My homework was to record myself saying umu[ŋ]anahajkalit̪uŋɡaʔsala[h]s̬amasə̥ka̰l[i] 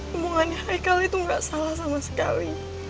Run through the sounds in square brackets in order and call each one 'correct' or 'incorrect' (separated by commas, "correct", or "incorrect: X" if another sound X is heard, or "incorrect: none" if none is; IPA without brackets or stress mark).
correct, correct, correct